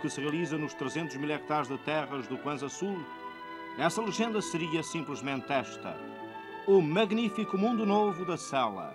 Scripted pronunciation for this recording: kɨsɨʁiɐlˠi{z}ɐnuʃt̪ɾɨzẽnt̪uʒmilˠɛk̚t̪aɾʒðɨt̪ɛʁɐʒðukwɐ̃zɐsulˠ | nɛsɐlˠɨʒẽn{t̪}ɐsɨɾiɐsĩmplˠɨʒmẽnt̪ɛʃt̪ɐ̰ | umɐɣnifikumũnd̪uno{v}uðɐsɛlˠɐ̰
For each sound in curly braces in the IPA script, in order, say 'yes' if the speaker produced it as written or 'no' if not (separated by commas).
yes, no, yes